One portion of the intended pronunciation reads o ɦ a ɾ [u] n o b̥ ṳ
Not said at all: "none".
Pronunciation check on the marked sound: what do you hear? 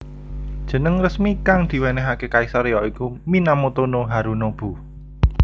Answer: u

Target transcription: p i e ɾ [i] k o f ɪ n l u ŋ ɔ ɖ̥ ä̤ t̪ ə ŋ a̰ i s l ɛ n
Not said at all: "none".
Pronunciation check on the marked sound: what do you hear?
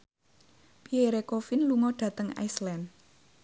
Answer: e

